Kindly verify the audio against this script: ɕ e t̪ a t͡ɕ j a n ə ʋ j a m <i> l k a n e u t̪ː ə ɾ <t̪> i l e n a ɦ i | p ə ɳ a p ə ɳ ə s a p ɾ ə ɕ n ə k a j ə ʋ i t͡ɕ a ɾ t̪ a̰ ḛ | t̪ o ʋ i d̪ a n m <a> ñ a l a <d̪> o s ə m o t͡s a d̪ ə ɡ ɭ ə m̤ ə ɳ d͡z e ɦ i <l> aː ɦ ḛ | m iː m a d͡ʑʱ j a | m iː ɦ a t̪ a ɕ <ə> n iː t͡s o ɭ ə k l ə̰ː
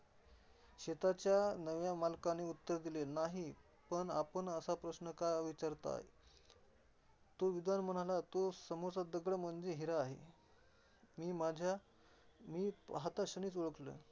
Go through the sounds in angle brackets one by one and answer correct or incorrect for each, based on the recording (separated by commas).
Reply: incorrect, incorrect, incorrect, incorrect, incorrect, correct